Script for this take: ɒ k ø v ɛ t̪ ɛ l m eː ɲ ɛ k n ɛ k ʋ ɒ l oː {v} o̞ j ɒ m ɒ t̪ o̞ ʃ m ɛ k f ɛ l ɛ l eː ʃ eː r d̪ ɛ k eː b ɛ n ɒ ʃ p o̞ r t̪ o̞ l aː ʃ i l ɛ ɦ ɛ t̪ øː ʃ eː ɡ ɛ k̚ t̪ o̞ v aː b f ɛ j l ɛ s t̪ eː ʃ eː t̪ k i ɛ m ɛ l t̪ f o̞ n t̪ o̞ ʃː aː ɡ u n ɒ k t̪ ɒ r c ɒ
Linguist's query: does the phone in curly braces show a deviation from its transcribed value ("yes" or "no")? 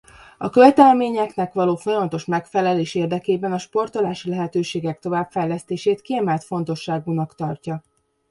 yes